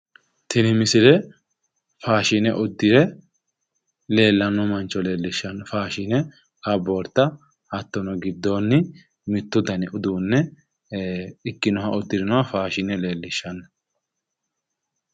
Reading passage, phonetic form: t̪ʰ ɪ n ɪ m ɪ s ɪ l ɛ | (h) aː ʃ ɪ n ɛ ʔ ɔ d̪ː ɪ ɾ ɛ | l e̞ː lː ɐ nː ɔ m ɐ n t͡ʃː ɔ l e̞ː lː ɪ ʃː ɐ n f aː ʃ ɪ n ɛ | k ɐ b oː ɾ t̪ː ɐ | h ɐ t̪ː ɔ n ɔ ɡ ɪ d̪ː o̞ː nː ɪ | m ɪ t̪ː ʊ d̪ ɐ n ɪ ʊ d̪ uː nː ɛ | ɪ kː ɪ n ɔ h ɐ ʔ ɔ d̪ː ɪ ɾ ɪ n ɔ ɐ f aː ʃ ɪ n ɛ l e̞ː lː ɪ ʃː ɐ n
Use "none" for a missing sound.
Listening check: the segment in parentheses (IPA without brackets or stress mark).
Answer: f